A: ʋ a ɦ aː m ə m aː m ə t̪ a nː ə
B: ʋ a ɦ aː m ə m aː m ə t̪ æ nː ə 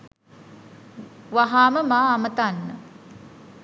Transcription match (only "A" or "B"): A